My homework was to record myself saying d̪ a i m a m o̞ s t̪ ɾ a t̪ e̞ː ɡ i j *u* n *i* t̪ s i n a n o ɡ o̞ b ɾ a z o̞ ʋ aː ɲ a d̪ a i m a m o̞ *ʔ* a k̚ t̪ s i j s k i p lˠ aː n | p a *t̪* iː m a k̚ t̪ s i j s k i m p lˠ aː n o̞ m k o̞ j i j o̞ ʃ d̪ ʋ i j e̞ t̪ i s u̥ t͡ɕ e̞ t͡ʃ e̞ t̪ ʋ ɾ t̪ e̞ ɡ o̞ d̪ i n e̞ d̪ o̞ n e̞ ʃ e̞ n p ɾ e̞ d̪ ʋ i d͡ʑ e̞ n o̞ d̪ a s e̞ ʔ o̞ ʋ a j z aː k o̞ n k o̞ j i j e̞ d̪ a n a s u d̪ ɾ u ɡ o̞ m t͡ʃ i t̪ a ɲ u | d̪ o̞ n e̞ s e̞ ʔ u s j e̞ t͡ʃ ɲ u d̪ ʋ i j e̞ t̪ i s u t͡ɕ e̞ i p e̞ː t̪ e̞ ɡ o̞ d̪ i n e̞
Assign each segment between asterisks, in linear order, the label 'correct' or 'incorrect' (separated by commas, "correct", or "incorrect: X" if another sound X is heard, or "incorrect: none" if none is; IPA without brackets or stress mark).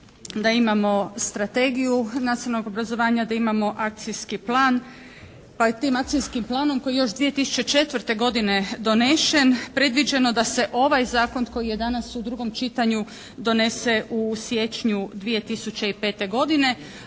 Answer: correct, incorrect: a, correct, correct